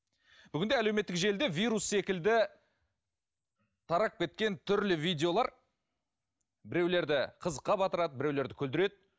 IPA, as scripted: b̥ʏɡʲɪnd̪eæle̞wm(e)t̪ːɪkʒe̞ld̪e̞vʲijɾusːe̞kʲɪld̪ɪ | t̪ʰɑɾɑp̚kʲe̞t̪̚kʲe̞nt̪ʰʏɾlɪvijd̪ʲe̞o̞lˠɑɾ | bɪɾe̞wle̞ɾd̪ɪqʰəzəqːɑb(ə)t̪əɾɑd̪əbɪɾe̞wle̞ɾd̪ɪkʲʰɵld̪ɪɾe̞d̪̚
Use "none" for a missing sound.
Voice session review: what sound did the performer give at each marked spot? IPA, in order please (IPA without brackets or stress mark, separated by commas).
e, ɑ